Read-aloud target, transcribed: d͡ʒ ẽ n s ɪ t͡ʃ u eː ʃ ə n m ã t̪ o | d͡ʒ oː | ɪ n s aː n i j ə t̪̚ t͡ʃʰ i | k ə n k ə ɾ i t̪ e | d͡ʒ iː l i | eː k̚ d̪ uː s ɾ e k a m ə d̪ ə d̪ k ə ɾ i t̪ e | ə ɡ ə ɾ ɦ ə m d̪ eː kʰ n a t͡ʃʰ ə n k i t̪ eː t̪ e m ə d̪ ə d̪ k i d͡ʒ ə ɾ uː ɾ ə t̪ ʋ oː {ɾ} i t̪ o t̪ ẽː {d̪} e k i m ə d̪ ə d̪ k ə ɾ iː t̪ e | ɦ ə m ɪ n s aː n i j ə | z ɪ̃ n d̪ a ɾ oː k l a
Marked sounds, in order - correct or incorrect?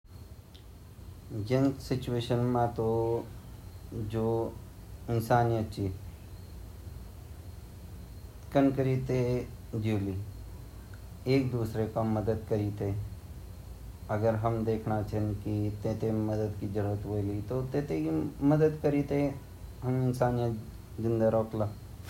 incorrect, incorrect

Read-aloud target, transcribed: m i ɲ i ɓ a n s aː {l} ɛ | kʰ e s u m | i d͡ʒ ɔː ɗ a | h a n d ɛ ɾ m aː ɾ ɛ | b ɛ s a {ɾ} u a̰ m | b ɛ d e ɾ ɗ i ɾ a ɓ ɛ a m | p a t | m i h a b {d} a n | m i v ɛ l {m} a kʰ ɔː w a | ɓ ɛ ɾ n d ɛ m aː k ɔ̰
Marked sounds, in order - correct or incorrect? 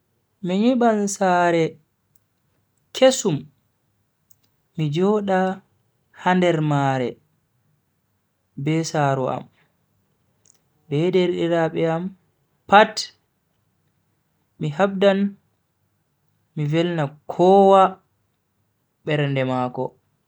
incorrect, correct, correct, incorrect

